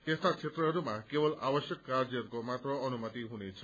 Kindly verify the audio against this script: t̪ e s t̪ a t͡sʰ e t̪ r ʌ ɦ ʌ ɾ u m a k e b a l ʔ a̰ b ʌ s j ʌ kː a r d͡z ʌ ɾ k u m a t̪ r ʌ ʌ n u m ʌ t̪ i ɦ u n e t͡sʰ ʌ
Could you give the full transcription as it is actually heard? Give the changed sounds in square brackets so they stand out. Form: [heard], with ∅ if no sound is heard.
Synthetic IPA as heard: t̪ e s t̪ a t͡sʰ e t̪ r ʌ ɦ ʌ ɾ u m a k e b [ʌ] l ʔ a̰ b ʌ s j ʌ kː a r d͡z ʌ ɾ k [o] m a t̪ r ʌ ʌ n u m ʌ t̪ i ɦ u n e t͡sʰ ʌ